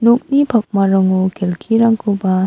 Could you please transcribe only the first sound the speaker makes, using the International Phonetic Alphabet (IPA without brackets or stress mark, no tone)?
n